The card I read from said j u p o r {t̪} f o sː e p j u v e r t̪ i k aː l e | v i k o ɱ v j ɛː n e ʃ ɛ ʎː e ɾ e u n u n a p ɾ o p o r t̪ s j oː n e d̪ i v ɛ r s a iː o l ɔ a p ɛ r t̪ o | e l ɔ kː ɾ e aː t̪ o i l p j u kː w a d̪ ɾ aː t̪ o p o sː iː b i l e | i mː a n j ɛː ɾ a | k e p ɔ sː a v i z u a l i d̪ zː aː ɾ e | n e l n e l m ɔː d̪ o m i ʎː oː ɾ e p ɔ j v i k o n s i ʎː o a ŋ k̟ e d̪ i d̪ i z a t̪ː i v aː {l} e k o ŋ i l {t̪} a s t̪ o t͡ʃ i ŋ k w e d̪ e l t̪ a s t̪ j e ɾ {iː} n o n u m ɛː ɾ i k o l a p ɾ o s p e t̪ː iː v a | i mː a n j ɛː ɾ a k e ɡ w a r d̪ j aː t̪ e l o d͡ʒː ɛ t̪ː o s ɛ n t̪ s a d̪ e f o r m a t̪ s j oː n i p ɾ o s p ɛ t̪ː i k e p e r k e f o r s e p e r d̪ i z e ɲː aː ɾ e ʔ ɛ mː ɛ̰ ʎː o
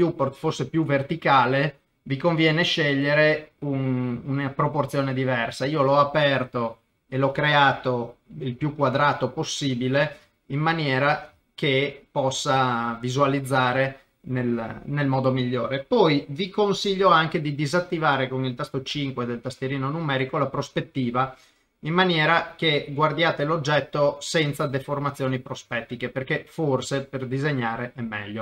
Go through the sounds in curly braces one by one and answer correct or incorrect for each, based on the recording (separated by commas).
correct, incorrect, correct, correct